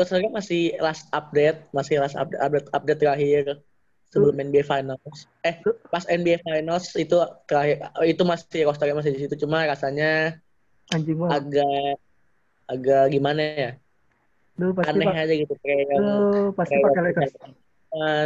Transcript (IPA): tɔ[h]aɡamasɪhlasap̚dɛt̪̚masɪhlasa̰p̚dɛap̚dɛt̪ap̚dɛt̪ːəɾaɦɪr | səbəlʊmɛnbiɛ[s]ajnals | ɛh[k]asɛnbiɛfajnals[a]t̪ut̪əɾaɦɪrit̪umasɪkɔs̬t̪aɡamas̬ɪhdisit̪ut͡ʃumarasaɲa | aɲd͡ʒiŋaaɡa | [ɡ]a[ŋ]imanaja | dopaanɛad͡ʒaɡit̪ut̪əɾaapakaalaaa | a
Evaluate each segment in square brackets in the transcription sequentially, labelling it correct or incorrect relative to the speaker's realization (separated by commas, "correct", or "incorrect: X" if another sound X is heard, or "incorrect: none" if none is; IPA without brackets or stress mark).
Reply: incorrect: s, incorrect: f, incorrect: p, incorrect: i, correct, incorrect: ɡ